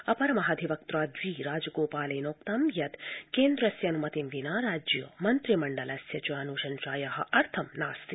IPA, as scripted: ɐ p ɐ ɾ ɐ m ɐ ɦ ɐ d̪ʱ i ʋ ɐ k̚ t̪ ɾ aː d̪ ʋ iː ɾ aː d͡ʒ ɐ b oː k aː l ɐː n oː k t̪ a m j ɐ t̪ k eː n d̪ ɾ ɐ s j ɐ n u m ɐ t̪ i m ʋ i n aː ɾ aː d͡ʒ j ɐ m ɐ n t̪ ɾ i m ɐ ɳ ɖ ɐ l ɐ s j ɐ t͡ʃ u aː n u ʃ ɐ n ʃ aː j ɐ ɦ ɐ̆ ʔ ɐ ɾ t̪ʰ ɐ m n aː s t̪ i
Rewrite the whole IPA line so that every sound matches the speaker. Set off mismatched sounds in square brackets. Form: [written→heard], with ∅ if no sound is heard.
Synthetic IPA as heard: ɐ p ɐ ɾ ɐ m ɐ ɦ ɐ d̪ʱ i ʋ ɐ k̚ t̪ ɾ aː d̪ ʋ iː ɾ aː d͡ʒ ɐ [b→ɡ] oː [k→p] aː l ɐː n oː k t̪ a m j ɐ t̪ k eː n d̪ ɾ ɐ s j ɐ n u m ɐ t̪ i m ʋ i n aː ɾ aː d͡ʒ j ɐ m ɐ n t̪ ɾ i m ɐ ɳ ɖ ɐ l ɐ s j ɐ t͡ʃ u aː n u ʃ ɐ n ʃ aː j ɐ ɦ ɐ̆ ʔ ɐ ɾ t̪ʰ ɐ m n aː s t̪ i